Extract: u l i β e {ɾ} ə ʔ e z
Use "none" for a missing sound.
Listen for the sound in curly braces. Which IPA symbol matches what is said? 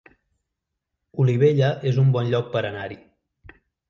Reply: ʎ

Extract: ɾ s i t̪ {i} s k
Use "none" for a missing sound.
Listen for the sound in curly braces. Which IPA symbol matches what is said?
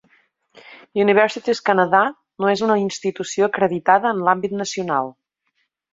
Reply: i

